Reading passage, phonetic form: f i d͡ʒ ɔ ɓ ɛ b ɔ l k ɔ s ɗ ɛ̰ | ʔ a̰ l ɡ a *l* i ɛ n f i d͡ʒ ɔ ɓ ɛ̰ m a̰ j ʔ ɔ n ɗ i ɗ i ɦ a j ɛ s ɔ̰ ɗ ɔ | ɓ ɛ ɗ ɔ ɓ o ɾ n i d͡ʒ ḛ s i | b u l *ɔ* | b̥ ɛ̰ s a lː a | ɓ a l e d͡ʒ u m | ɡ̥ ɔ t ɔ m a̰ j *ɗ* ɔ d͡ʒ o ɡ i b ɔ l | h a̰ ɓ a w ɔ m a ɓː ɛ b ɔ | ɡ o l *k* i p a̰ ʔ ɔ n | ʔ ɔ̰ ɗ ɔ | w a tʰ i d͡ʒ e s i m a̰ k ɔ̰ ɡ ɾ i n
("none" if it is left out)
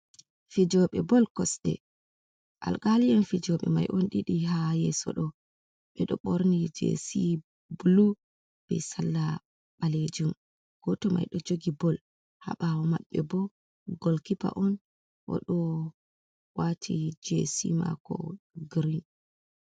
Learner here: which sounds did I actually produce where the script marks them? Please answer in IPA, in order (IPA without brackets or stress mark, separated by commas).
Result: l, u, ɗ, k